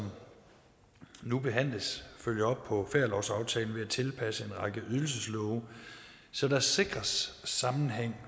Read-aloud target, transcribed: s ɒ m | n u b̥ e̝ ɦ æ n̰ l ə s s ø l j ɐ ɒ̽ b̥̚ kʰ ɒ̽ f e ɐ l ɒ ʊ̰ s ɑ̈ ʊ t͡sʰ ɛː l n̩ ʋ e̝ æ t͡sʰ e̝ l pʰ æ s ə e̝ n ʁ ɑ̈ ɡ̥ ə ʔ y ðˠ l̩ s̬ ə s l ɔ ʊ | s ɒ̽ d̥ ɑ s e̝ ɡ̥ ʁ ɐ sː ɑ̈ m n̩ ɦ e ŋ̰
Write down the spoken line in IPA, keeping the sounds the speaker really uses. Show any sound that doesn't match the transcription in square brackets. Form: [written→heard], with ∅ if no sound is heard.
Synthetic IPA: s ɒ m | n u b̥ e̝ ɦ æ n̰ l ə s [s→f] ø l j ɐ ɒ̽ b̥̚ [kʰ→pʰ] ɒ̽ f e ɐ l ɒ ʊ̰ s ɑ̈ ʊ t͡sʰ ɛː l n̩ ʋ e̝ æ t͡sʰ e̝ l pʰ æ s ə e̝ n ʁ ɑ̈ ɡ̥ ə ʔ y ðˠ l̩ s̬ ə s l ɔ ʊ | s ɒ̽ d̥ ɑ s e̝ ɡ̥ ʁ ɐ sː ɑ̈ m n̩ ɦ e ŋ̰